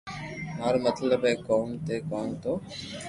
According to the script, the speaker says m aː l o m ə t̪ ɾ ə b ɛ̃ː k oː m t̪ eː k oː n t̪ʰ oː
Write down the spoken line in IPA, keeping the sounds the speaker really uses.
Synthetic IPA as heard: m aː ɾ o m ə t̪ l ə b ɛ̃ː k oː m t̪ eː k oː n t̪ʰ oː